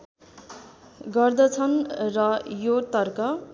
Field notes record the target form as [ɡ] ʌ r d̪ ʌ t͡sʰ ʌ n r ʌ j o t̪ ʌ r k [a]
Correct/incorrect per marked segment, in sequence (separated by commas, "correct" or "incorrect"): correct, incorrect